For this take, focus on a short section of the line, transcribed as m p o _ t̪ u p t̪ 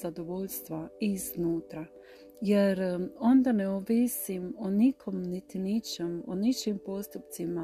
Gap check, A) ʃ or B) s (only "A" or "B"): B